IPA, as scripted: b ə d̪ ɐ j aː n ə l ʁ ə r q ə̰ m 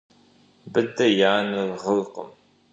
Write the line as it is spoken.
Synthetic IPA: b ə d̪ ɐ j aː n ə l ʁ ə l q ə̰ m